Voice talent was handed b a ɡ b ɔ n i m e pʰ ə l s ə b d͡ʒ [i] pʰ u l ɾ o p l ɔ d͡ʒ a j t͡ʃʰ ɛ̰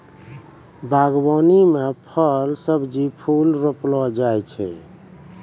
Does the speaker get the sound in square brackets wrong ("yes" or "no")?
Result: no